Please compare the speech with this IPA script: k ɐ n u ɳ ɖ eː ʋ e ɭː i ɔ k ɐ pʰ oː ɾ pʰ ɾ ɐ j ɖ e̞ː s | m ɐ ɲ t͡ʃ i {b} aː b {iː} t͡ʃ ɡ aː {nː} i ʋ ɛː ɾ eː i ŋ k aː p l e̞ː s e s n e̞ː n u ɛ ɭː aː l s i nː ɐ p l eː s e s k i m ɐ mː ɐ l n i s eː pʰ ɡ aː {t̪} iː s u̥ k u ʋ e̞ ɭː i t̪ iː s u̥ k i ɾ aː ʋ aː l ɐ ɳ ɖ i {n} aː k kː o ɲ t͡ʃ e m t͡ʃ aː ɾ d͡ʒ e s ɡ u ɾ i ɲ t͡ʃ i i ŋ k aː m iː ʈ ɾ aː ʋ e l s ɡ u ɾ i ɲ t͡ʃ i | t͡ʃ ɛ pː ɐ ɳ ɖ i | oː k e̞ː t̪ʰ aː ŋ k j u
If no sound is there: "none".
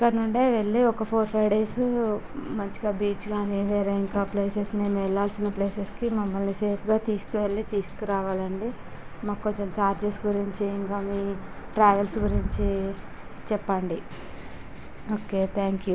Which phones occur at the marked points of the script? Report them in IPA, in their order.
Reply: ɡ, iː, n, t̪, m

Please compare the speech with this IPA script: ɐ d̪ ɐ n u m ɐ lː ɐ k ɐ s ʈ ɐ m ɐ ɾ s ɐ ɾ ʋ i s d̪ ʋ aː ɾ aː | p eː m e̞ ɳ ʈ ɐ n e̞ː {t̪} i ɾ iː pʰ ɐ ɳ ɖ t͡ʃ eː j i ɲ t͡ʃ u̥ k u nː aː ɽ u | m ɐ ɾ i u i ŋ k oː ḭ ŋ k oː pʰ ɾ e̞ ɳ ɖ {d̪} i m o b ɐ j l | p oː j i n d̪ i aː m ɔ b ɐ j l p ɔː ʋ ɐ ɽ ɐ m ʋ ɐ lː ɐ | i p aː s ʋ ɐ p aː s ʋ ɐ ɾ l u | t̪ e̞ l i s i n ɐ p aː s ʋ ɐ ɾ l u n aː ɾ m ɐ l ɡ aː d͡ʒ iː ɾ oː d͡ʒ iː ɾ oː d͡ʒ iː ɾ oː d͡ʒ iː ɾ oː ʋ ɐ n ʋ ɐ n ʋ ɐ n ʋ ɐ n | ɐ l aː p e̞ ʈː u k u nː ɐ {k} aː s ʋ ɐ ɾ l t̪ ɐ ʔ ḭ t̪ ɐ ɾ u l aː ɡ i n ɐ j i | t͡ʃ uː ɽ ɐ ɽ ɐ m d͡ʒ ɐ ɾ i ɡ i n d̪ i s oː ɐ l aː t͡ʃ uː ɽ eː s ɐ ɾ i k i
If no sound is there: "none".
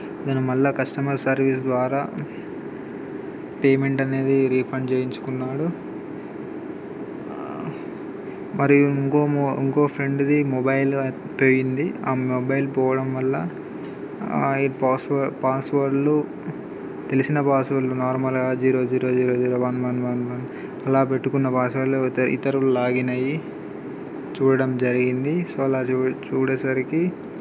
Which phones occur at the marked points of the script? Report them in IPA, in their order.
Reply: d̪, d̪, p

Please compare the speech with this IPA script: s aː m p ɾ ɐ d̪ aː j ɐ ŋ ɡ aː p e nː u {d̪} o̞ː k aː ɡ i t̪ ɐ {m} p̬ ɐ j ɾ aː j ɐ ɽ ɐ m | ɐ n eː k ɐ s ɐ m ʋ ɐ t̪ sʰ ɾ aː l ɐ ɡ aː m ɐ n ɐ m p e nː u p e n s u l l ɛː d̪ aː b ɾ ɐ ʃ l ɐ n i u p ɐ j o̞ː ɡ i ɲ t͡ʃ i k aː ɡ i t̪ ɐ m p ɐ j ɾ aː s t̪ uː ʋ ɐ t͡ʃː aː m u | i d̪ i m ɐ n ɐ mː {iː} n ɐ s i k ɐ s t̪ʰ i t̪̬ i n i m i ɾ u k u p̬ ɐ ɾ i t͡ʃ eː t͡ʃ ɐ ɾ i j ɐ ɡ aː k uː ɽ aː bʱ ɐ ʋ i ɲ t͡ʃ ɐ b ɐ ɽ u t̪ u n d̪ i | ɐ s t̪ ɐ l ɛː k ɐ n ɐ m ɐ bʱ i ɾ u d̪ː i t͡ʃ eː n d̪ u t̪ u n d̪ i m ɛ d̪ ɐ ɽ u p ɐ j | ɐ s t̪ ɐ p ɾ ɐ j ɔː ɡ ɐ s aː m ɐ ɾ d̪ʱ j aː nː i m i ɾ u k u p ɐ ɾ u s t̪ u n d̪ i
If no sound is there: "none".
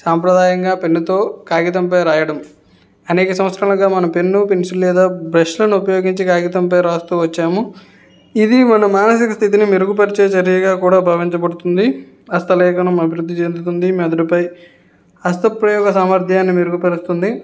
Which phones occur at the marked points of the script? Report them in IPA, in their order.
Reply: t̪, m, aː

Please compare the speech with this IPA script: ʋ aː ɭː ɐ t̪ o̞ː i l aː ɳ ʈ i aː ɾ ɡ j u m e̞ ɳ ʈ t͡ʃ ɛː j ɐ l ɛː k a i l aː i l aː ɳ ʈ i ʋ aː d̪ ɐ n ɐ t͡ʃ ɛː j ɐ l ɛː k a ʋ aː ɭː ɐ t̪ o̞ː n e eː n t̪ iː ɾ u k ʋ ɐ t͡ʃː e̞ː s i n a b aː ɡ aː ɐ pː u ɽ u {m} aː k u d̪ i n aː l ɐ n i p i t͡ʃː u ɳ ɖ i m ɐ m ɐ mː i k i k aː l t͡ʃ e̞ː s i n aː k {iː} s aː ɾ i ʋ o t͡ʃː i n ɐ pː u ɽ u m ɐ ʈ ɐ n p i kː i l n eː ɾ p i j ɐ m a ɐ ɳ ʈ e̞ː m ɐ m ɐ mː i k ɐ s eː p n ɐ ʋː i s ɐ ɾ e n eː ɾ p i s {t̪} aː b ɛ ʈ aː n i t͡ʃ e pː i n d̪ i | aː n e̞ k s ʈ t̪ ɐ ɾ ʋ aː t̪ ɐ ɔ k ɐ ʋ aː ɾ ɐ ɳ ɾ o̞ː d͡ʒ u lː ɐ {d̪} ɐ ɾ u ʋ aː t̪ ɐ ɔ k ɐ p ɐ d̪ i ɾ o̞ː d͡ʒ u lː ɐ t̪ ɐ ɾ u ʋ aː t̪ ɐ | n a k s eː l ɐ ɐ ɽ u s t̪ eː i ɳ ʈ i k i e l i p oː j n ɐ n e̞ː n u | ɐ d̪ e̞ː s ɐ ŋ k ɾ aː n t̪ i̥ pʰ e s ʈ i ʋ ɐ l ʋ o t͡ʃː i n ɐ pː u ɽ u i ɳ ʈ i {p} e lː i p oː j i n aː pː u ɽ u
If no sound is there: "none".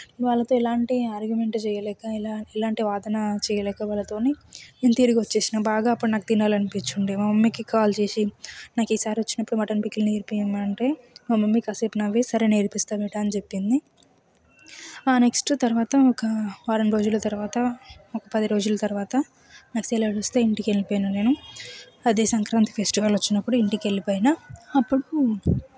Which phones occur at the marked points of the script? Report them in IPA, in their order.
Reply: n, iː, t̪, t̪, k

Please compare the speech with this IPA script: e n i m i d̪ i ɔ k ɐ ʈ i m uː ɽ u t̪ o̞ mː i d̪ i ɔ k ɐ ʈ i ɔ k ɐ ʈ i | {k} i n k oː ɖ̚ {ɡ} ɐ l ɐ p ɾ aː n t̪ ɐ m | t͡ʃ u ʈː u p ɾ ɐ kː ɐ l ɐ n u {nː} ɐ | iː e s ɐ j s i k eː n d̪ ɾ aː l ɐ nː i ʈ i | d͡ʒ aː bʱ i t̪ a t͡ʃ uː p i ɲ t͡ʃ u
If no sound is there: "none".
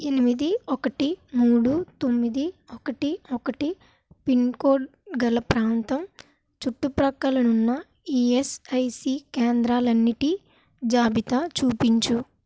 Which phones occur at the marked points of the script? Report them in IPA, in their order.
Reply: p, ɡ, nː

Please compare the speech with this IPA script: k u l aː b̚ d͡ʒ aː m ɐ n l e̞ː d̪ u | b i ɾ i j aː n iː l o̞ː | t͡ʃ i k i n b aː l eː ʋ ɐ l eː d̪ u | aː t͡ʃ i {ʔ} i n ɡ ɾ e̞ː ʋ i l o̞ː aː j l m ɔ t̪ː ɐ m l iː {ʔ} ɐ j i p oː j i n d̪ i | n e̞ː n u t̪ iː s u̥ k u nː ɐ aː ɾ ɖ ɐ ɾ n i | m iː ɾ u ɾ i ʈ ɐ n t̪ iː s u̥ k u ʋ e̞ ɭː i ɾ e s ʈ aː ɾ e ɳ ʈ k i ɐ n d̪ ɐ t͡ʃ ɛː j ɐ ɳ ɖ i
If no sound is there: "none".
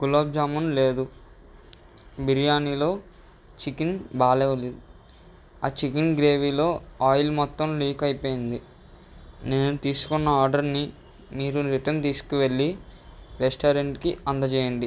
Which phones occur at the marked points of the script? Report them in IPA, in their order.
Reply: k, k

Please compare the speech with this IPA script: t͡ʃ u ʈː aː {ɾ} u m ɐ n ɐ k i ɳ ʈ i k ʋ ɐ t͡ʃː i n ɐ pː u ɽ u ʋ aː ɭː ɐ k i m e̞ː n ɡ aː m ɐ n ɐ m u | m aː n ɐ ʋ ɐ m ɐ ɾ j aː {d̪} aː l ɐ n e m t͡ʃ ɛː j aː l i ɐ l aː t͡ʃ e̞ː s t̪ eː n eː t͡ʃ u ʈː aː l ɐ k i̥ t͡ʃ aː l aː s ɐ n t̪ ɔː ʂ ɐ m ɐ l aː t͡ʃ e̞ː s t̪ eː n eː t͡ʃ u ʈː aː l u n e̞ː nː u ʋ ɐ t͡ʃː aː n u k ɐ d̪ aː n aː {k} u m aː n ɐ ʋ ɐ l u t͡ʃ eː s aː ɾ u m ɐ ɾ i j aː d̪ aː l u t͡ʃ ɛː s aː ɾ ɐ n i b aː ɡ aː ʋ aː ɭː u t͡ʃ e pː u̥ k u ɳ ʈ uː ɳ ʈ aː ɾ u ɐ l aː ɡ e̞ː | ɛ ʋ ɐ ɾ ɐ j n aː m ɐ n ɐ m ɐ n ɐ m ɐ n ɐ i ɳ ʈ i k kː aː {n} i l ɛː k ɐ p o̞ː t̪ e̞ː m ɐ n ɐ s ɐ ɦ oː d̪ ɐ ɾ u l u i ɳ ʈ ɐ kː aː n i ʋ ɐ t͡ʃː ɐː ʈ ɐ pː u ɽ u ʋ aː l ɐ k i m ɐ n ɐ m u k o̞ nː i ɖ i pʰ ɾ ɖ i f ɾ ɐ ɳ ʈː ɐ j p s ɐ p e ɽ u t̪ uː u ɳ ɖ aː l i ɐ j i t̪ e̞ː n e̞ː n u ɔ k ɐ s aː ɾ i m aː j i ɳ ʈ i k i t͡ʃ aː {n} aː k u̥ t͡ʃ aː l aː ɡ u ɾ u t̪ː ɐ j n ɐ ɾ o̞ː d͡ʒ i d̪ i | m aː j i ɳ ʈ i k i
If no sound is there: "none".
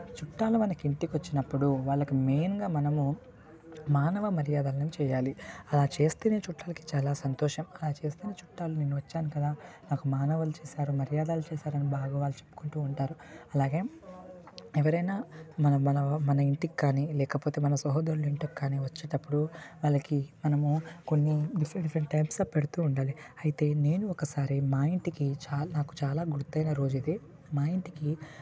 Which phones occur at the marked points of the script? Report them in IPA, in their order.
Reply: l, d̪, k, n, n

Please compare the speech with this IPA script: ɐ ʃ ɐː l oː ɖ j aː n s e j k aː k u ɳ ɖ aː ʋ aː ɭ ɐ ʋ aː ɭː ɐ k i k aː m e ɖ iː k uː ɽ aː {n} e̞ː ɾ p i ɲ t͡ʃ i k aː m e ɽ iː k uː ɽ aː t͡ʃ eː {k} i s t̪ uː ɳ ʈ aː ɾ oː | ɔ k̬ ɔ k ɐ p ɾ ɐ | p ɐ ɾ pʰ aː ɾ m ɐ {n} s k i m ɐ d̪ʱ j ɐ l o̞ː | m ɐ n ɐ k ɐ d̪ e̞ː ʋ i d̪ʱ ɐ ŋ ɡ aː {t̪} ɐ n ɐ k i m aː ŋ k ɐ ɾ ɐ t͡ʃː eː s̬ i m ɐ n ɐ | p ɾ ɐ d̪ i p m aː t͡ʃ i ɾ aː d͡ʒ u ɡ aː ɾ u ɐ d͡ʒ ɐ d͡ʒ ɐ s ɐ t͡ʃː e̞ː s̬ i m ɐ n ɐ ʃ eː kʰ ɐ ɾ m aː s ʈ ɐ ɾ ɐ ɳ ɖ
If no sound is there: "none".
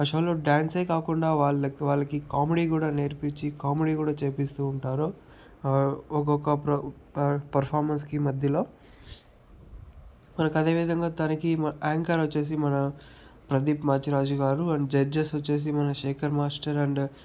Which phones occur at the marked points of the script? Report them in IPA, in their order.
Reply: n, p, n, t̪

